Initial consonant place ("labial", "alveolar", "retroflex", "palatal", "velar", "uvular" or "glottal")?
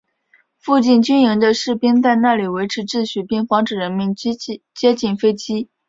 labial